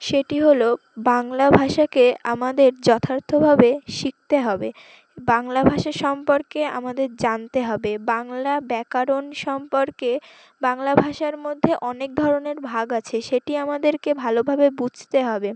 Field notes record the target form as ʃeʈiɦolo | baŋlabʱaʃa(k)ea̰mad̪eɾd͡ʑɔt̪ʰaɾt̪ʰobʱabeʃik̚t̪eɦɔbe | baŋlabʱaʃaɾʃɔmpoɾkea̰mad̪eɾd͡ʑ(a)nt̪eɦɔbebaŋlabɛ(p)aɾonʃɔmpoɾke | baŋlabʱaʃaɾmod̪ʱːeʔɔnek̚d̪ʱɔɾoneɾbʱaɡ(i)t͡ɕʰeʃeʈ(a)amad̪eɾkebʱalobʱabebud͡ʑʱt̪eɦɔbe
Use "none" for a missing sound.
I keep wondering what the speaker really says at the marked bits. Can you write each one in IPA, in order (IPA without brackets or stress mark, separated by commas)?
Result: k, a, k, a, i